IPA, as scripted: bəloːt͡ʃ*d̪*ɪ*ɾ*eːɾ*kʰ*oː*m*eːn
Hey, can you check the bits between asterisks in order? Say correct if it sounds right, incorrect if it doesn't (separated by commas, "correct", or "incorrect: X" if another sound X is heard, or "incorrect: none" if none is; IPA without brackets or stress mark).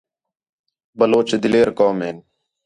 correct, incorrect: l, incorrect: k, correct